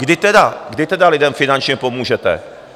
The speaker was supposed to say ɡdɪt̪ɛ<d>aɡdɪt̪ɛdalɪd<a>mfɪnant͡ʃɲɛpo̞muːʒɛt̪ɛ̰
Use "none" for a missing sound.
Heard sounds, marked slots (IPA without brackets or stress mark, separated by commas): d, ɛ